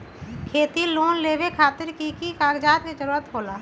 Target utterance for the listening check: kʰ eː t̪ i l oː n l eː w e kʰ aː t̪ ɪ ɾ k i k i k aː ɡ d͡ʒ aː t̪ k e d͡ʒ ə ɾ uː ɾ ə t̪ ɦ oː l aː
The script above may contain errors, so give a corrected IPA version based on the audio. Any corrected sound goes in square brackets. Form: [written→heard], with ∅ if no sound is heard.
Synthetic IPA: kʰ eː t̪ i l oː n l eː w e kʰ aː t̪ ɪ ɾ k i k i k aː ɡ d͡ʒ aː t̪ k e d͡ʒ ə ɾ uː ɾ ə t̪ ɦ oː l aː